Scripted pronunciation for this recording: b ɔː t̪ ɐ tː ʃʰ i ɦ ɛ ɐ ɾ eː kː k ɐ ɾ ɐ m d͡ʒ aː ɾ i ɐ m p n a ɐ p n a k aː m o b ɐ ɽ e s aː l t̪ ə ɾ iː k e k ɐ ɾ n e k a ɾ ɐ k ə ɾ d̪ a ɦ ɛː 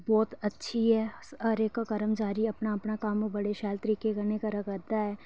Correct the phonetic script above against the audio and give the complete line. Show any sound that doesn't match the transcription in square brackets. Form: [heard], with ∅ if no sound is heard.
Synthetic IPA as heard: b ɔː t̪ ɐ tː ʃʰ i ɦ ɛ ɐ ɾ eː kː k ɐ ɾ [ə] m d͡ʒ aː ɾ i ɐ [∅] p n a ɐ p n a k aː m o b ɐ ɽ e [ʃ] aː l t̪ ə ɾ iː k e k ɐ ɾ n e k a ɾ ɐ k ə ɾ d̪ a ɦ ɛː